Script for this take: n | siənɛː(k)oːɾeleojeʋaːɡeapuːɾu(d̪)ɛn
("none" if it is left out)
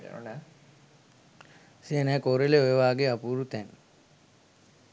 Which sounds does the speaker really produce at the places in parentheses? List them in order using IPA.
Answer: k, t̪

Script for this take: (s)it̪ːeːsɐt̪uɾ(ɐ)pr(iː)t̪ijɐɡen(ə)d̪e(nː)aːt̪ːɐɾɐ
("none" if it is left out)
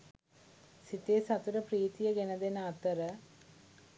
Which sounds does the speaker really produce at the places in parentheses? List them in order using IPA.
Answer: s, ɐ, iː, ɐ, n

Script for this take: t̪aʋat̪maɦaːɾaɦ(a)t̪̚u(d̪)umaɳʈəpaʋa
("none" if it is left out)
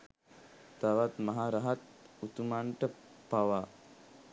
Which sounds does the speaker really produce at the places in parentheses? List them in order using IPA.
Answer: a, t̪

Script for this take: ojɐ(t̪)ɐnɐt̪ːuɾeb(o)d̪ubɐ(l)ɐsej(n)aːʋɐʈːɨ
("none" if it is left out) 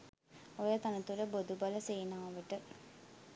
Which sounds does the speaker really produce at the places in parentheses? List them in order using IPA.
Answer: t̪, o, l, n

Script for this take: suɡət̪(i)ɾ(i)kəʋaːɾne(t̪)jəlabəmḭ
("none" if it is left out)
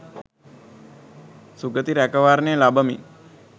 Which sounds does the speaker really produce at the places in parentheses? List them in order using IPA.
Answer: i, æ, none

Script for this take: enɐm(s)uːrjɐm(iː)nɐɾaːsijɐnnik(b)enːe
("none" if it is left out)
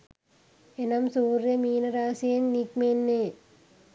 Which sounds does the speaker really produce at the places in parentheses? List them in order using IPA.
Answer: s, iː, m

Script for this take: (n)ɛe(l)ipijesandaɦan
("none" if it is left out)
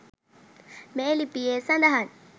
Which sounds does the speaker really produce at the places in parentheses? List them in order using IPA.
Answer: m, l

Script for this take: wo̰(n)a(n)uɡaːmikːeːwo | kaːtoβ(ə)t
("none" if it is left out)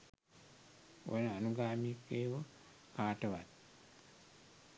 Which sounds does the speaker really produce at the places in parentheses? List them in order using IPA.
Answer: n, n, a

